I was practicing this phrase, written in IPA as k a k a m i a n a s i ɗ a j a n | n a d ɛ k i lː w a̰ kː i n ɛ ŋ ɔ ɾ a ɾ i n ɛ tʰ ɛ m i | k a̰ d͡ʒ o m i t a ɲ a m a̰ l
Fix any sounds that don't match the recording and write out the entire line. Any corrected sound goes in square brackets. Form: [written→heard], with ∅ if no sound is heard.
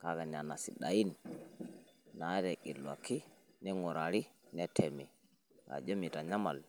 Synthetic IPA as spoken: k a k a [m→n] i a n a s i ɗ a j [a→i] n | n a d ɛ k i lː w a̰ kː i n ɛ ŋ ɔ ɾ a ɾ i n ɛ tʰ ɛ m i | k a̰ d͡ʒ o m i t a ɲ a m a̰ l